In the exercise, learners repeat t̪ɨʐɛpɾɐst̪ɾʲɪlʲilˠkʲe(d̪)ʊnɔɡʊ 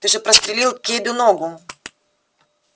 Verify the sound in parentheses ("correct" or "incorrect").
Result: correct